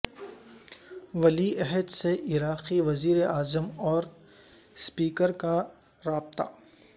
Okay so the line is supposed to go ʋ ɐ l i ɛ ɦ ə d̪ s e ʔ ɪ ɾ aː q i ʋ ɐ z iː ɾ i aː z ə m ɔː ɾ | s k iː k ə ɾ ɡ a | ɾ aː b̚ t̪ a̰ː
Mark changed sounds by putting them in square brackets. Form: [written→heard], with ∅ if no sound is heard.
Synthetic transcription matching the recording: ʋ ɐ l i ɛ ɦ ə d̪ s e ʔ ɪ ɾ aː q i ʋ ɐ z iː ɾ [i→e] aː z ə m ɔː ɾ | s [k→p] iː k ə ɾ [ɡ→k] a | ɾ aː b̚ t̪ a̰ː